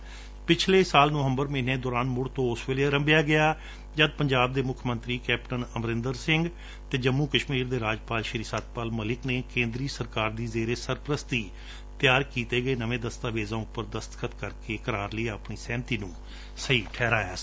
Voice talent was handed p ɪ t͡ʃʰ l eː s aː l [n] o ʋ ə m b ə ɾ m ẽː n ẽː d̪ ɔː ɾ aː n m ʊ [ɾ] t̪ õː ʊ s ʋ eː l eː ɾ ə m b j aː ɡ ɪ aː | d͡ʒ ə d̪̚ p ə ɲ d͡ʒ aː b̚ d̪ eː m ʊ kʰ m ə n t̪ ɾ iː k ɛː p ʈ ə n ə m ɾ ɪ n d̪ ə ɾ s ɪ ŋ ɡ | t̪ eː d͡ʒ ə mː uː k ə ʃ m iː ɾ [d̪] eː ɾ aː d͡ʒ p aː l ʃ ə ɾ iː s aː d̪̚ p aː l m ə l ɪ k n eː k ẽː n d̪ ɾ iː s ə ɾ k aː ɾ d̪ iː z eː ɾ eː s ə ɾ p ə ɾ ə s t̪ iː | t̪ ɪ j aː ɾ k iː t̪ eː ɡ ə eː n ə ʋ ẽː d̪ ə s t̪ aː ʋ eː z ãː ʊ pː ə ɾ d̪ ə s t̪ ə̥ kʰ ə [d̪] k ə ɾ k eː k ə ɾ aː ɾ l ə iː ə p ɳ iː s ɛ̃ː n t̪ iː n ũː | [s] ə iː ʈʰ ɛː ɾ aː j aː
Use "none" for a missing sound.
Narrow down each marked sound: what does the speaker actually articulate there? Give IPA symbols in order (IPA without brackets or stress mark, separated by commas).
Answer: n, ɽ, d̪, t̪, s